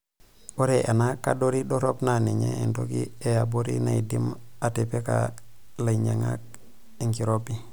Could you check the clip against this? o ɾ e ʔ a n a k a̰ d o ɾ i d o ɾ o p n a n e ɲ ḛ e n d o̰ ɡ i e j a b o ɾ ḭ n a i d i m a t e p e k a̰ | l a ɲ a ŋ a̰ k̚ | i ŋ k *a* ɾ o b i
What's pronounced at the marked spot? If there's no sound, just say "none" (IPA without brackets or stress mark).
i